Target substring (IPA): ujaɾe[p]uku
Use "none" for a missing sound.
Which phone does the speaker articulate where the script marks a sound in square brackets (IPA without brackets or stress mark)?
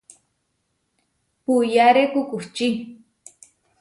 k